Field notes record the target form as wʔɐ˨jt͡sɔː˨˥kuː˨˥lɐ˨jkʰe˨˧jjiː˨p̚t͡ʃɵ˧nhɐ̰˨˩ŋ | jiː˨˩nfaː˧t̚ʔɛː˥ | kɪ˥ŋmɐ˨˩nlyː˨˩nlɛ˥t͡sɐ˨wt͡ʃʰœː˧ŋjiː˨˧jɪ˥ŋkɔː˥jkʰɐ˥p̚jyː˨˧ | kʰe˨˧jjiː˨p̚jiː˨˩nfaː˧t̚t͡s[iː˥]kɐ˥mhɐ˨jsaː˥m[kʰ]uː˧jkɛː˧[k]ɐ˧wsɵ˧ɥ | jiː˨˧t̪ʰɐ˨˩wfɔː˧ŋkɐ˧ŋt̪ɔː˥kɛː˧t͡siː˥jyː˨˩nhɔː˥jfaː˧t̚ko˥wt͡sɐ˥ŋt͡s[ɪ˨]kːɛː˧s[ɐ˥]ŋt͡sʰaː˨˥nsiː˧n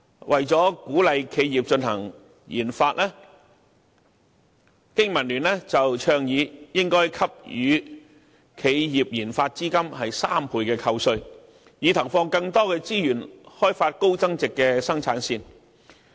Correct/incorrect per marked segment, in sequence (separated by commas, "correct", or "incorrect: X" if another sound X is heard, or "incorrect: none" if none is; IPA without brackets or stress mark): correct, incorrect: pʰ, incorrect: kʰ, correct, correct